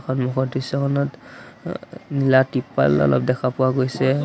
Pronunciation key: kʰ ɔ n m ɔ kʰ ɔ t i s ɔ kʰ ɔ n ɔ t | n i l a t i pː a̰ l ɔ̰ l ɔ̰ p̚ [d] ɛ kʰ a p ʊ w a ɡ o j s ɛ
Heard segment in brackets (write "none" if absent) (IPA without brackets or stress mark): d